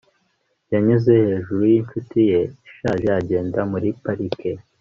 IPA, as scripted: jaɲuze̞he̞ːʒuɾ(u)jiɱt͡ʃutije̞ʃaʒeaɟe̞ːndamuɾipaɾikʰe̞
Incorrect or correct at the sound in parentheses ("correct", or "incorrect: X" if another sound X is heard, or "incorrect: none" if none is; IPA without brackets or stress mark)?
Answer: correct